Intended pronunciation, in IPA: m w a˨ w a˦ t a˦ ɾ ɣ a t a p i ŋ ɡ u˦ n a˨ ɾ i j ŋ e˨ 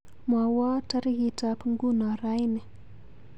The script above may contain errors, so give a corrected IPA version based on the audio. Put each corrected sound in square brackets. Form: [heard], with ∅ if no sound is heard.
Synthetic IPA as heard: m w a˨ w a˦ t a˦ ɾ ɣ [i] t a p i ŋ ɡ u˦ n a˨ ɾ [a] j [n] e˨